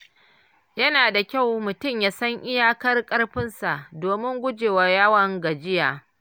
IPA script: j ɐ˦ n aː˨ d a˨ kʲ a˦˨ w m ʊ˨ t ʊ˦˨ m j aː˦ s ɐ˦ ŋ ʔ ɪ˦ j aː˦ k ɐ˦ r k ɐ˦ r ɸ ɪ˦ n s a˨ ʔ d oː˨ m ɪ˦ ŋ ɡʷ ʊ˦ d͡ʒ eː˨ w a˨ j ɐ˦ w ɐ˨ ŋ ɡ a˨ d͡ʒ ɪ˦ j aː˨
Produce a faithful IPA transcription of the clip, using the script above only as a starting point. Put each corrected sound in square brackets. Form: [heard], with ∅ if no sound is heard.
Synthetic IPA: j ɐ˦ n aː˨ d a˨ kʲ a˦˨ w m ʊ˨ t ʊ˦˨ m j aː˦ s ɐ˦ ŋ ʔ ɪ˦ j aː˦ k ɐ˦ r [kʼ] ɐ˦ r ɸ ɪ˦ n s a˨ ʔ d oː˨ m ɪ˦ ŋ ɡʷ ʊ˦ d͡ʒ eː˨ w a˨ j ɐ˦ w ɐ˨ ŋ ɡ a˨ d͡ʒ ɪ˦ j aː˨